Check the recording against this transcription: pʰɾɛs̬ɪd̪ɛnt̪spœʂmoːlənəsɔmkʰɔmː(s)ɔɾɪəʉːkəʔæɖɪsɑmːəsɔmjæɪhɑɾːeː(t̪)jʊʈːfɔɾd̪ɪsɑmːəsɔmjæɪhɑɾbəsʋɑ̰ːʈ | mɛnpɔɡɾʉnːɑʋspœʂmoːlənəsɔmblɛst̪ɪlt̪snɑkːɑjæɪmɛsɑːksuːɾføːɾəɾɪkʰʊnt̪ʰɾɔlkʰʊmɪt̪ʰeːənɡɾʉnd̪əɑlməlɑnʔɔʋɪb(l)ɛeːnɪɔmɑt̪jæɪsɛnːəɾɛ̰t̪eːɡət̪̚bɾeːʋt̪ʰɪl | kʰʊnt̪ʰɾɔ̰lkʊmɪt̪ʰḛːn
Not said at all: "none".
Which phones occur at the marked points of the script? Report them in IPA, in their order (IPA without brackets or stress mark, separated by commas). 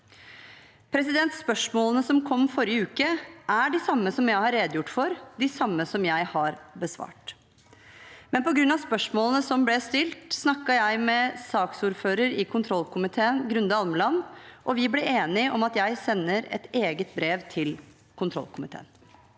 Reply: f, d̪, l